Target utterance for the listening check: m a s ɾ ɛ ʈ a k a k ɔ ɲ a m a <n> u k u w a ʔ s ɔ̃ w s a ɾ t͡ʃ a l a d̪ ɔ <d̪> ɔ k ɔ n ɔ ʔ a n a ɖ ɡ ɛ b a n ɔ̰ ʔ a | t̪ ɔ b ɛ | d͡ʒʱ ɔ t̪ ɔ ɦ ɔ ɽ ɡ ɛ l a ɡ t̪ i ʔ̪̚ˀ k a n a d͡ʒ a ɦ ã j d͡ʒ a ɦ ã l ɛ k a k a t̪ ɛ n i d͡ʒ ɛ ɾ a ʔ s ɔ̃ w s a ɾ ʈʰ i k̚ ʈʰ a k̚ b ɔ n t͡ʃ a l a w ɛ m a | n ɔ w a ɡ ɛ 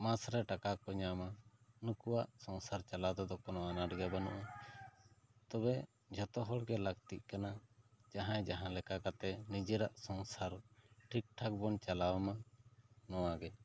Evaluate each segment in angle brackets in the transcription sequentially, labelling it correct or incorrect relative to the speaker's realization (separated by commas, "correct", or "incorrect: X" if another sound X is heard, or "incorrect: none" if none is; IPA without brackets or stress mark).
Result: correct, correct